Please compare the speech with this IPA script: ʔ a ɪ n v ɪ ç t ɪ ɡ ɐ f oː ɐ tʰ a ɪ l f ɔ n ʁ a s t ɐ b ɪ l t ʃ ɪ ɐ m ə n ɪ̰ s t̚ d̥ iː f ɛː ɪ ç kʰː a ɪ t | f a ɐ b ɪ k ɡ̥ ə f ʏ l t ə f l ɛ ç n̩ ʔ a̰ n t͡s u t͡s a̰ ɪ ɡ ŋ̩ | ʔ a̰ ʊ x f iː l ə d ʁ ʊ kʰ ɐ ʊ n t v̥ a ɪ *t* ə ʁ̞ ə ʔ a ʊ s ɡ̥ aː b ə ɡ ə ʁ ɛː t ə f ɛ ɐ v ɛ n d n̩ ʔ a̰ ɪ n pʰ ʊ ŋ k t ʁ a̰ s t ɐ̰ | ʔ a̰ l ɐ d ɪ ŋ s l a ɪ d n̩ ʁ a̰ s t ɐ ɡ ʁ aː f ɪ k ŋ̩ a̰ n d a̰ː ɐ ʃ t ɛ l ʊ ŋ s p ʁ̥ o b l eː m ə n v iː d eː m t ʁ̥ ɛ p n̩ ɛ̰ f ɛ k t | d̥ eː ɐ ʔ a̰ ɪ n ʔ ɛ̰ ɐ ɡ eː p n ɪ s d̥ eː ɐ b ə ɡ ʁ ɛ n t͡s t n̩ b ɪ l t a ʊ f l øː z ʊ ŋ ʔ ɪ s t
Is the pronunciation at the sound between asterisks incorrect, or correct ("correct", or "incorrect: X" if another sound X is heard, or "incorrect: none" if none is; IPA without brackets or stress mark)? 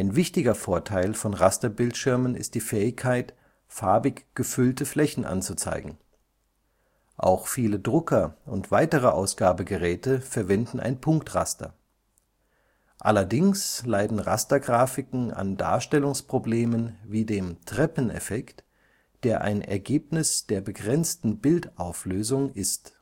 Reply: correct